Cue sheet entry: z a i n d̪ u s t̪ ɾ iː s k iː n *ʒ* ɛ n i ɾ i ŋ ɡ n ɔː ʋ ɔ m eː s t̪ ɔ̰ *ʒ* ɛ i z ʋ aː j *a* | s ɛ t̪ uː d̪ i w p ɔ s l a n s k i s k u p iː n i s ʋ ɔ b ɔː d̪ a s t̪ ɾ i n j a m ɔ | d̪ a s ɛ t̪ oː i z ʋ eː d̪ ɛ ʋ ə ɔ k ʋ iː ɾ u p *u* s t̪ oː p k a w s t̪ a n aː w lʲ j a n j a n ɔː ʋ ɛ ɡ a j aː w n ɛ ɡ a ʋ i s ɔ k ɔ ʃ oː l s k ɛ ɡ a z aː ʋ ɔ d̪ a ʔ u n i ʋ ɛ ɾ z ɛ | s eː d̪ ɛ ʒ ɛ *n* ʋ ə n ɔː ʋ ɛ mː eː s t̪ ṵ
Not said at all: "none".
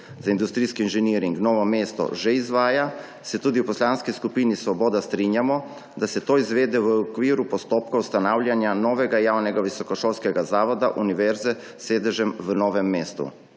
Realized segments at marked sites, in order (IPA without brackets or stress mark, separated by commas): ʒ, ʒ, a, ɔ, m